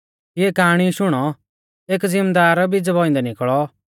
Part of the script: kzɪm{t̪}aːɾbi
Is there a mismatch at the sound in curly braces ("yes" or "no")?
yes